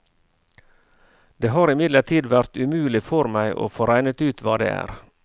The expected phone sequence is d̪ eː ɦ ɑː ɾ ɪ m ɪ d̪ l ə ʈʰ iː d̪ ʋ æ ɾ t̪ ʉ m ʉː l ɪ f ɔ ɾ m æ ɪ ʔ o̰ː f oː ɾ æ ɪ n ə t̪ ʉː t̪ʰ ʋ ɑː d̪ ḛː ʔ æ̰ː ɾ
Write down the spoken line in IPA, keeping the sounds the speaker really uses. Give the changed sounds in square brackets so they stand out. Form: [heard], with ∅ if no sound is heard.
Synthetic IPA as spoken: d̪ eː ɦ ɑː ɾ ɪ m ɪ d̪ l ə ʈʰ iː d̪ ʋ æ ɾ t̪ ʉ m ʉː l ɪ f ɔ ɾ m æ ɪ ʔ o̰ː f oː ɾ æ ɪ n ə t̪ ʉː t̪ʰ ʋ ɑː d̪ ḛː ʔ æ̰ː ɾ